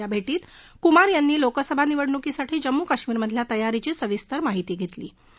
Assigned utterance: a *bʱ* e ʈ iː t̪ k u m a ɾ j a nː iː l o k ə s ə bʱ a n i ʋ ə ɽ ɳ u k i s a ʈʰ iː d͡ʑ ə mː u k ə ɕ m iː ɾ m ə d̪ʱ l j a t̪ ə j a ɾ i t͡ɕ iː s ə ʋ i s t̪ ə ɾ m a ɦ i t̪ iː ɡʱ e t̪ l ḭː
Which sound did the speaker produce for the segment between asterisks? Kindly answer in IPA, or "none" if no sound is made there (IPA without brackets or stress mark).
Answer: bʱ